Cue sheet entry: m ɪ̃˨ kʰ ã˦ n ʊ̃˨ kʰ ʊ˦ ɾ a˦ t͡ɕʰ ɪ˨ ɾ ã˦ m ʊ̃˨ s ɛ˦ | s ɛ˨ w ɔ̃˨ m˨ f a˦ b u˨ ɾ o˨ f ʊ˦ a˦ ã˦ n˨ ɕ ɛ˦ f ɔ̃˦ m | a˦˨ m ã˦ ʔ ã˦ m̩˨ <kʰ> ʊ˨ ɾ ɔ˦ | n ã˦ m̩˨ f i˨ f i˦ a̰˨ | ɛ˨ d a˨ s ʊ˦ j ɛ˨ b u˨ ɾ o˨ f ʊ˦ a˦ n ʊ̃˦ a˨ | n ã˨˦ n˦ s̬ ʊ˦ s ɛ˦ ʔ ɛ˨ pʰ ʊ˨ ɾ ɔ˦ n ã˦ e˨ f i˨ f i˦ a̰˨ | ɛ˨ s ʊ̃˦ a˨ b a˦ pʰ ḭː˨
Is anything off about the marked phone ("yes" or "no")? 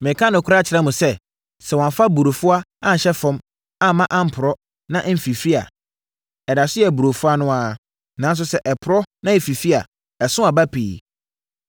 yes